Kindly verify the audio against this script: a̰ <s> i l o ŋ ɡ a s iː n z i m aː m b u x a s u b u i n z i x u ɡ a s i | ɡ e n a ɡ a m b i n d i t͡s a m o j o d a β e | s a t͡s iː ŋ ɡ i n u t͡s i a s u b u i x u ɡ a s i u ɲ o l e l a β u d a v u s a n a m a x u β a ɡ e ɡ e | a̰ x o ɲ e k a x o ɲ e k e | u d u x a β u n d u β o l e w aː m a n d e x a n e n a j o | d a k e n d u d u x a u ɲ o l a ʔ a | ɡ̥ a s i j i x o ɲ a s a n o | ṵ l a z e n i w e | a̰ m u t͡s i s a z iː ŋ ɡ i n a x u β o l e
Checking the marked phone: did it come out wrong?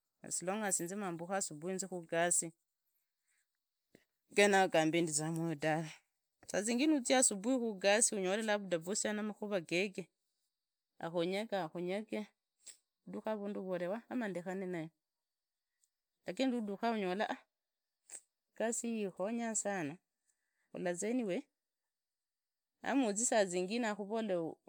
no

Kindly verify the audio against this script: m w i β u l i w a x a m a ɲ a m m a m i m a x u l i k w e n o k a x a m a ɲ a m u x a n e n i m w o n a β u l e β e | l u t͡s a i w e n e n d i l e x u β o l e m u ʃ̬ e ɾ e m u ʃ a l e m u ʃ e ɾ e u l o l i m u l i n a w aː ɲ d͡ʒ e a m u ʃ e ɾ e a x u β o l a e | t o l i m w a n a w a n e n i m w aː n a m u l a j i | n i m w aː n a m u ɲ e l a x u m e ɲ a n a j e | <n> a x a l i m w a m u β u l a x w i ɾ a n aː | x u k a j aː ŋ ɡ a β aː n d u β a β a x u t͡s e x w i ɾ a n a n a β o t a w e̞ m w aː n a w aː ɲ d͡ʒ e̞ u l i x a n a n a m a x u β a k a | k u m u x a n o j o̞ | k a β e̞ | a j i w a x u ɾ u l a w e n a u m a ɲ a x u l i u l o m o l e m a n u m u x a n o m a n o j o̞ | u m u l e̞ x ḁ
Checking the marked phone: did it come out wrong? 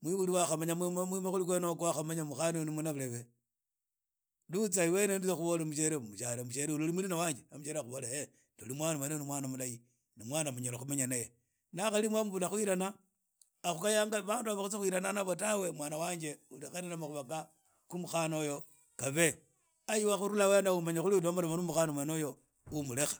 no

